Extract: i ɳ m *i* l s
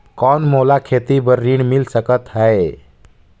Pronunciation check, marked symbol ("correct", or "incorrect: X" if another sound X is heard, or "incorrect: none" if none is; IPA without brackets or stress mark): correct